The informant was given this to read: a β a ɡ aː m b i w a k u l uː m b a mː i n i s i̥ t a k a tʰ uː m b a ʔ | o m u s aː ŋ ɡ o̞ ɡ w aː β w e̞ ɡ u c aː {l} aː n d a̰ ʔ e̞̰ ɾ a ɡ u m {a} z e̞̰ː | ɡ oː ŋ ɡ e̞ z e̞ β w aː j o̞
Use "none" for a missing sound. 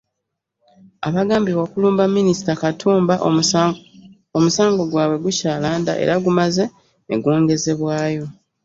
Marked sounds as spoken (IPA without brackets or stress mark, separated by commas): l, a